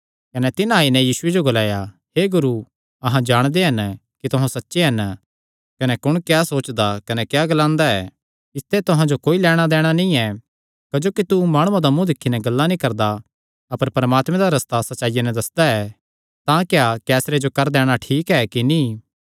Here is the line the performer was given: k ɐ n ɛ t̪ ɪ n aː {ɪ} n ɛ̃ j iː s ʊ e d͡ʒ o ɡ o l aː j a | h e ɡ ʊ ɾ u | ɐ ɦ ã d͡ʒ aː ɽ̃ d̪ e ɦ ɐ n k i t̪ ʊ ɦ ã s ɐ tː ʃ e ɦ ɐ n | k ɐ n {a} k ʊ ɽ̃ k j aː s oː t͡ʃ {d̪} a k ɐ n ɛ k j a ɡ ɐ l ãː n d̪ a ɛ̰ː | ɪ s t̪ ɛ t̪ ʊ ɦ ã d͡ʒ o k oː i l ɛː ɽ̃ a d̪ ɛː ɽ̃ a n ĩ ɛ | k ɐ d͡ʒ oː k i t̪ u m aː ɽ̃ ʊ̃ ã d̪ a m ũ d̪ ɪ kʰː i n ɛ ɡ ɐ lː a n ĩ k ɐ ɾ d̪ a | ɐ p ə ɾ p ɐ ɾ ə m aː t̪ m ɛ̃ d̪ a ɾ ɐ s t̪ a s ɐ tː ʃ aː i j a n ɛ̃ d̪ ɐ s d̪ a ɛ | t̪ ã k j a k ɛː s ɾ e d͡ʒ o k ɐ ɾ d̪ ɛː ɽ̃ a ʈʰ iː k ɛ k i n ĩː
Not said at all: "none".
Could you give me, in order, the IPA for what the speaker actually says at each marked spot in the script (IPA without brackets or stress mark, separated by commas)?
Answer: i, ɛ, d̪